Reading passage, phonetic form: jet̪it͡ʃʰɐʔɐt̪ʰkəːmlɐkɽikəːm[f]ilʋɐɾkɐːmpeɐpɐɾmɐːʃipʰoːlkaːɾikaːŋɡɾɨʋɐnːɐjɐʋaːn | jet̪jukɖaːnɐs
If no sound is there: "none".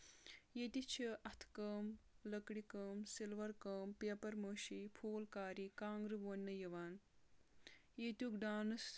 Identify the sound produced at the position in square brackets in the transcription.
s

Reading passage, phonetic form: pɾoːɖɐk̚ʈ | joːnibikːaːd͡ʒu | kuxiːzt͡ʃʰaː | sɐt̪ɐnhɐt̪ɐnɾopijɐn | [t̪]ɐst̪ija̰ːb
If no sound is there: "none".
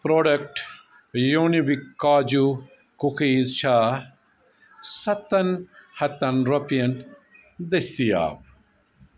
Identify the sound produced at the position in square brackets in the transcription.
d̪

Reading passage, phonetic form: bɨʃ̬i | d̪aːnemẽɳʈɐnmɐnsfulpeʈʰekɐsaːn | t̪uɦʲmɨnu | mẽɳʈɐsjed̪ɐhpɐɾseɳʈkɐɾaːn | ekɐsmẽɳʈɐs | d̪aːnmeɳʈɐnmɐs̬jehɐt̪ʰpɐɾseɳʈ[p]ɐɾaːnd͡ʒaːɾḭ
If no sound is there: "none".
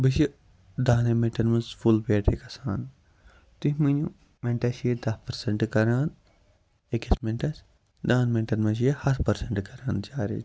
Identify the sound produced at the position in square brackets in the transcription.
k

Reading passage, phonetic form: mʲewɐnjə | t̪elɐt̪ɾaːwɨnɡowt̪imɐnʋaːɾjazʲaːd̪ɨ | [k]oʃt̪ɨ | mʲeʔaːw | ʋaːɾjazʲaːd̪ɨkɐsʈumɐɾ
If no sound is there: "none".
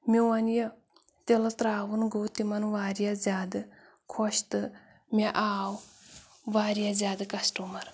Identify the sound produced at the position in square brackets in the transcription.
kʰ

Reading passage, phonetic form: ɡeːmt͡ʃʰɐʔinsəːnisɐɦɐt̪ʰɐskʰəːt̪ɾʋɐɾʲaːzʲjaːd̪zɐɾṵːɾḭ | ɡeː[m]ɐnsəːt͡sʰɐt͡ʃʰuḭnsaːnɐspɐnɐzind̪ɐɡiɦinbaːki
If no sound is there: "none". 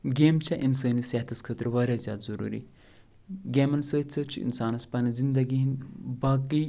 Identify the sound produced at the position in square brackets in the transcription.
m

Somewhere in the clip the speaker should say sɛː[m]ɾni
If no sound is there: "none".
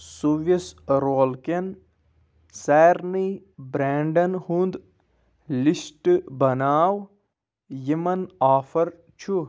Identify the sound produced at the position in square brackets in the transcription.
none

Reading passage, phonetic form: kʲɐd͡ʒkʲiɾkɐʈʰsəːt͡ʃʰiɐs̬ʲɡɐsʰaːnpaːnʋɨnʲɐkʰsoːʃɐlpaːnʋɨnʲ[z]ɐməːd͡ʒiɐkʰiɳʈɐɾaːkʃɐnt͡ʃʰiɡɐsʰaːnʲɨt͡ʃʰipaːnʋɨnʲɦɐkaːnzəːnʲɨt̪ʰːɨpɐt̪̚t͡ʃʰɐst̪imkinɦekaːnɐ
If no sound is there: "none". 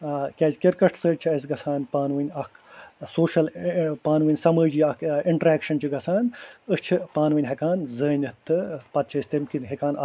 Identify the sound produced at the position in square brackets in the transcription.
s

